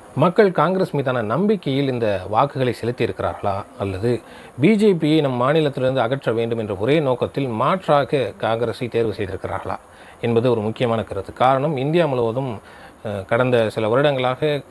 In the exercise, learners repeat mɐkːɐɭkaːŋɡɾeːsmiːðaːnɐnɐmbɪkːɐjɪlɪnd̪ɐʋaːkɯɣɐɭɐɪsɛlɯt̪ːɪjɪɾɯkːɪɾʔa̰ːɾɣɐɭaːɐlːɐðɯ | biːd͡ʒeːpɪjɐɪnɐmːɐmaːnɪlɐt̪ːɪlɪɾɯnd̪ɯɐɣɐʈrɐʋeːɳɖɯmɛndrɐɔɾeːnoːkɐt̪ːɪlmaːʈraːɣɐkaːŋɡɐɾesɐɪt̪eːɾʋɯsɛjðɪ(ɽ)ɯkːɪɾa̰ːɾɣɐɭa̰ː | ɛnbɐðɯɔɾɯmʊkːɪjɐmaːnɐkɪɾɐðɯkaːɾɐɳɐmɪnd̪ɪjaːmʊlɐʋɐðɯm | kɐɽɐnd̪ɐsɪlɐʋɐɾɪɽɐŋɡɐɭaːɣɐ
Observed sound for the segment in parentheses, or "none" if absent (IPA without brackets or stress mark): ɾ